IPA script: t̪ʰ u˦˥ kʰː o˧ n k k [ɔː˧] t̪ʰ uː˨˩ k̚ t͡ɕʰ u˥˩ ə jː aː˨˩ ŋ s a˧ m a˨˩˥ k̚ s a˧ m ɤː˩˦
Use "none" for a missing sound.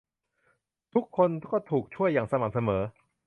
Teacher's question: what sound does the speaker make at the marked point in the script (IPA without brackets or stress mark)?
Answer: ɔː˥˩